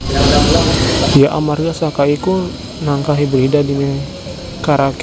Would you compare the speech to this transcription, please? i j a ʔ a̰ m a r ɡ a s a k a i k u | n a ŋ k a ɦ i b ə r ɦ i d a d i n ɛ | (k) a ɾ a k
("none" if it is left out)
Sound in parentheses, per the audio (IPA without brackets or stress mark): k